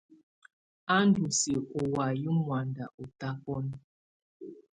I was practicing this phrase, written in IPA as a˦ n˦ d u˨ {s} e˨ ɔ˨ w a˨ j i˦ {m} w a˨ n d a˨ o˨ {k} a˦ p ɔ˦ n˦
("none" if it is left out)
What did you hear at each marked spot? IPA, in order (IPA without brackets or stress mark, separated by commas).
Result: s, m, t